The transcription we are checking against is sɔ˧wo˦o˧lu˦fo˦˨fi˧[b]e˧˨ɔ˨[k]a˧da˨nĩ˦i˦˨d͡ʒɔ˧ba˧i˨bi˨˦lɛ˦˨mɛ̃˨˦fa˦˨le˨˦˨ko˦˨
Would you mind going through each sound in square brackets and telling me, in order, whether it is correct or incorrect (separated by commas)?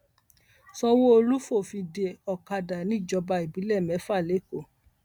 incorrect, correct